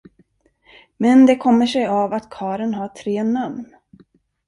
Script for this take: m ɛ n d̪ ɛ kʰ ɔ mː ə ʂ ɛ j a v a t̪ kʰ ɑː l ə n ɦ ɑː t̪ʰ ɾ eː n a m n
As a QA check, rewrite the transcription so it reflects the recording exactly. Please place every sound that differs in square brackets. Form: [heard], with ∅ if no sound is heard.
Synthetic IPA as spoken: m ɛ n d̪ ɛ kʰ ɔ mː ə ʂ ɛ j a v a t̪ kʰ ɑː [ɾ] ə n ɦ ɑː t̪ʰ ɾ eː n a m n

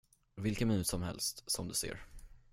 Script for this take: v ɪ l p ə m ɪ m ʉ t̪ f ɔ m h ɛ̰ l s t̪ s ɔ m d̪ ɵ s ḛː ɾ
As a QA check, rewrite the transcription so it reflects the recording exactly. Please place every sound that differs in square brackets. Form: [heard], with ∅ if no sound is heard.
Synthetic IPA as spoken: v ɪ l [k] ə m ɪ [n] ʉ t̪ [s] ɔ m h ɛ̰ l s t̪ s ɔ m d̪ ɵ s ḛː ɾ

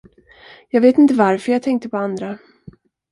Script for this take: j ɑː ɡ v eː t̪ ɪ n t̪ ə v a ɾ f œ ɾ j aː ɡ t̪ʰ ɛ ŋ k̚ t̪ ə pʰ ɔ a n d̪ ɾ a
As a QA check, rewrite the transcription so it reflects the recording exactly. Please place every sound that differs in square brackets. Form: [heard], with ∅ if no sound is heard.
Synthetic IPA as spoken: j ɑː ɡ v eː t̪ ɪ n t̪ ə v a ɾ f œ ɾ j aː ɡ t̪ʰ ɛ ŋ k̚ t̪ ə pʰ ɔ a n d̪ ɾ a

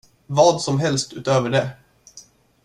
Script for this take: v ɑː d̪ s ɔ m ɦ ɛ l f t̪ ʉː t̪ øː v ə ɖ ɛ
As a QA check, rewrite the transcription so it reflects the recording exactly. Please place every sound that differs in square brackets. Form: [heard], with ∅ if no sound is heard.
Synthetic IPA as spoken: v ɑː d̪ s ɔ m ɦ ɛ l [s] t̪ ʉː t̪ øː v ə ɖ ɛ

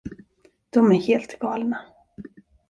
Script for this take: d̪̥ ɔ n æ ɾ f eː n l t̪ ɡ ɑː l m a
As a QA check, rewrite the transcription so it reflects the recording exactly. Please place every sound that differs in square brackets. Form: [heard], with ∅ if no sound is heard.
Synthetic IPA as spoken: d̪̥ ɔ [m] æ ɾ [h] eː [∅] l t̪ ɡ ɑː l [n] a

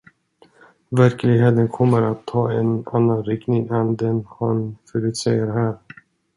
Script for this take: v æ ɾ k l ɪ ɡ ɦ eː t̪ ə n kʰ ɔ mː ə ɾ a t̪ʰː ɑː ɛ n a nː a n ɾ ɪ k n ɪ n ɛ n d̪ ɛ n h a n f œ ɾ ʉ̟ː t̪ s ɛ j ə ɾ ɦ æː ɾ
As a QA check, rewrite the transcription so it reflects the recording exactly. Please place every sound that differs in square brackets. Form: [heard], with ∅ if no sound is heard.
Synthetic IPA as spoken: v æ ɾ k l ɪ ɡ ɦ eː t̪ ə n kʰ ɔ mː ə ɾ a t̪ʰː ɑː ɛ n a nː a n ɾ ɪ k n ɪ [ŋ] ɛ n d̪ ɛ n h a n f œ ɾ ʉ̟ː t̪ s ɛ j ə ɾ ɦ æː ɾ

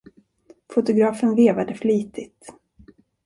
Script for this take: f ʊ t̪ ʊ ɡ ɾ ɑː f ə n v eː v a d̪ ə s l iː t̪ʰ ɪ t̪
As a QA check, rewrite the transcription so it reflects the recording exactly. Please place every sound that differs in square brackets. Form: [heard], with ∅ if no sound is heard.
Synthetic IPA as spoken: f ʊ t̪ ʊ ɡ ɾ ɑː f ə n v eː v a d̪ ə [f] l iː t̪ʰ ɪ t̪

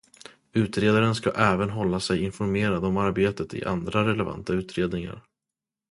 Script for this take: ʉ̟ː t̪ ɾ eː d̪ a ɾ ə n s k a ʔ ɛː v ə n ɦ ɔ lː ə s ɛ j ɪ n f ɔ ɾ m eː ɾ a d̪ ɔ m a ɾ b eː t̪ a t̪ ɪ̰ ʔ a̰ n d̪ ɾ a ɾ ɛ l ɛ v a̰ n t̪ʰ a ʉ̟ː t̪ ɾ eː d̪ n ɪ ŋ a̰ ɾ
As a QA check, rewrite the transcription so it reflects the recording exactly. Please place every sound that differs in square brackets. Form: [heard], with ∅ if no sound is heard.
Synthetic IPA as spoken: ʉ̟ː t̪ ɾ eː d̪ a ɾ ə n s k a ʔ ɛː v ə n ɦ ɔ lː [a] s ɛ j ɪ n f ɔ ɾ m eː ɾ a d̪ ɔ m a ɾ b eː t̪ [ə] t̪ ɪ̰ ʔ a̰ n d̪ ɾ a ɾ ɛ l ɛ v a̰ n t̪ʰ a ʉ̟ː t̪ ɾ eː d̪ n ɪ ŋ a̰ ɾ

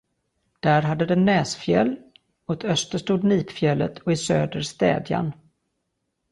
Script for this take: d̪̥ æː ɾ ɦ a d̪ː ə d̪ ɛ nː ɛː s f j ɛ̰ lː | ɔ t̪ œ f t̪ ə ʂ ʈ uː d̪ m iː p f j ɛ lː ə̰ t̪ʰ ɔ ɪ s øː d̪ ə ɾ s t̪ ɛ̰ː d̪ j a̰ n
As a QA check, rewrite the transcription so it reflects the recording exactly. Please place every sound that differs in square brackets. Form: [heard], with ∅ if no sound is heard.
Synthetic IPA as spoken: d̪̥ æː ɾ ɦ a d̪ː ə d̪ ɛ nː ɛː s f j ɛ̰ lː | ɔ t̪ œ [s] t̪ ə ʂ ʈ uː d̪ [n] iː p f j ɛ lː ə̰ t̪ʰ ɔ ɪ s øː d̪ ə ɾ s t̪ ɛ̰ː d̪ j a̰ n

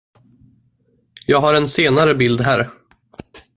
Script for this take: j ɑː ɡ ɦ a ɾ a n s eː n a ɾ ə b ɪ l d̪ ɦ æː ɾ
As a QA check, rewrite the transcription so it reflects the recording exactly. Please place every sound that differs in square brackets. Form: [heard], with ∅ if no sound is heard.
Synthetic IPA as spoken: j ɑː ɡ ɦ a ɾ [ɛ] n s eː n a ɾ ə b ɪ l d̪ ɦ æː ɾ

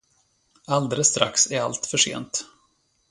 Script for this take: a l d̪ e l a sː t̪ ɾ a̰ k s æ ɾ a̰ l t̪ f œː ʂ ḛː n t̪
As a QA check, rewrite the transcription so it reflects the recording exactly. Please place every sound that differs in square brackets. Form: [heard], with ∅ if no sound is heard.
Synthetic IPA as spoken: a l d̪ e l [ə] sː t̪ ɾ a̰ k s æ ɾ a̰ l t̪ f [œ] ʂ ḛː n t̪

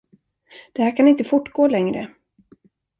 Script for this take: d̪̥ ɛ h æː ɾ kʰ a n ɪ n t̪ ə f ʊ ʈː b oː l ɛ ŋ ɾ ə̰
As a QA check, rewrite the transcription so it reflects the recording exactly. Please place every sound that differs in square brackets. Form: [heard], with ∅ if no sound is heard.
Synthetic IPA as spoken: d̪̥ ɛ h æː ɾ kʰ a n ɪ n t̪ ə f ʊ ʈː [ɡ] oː l ɛ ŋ ɾ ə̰

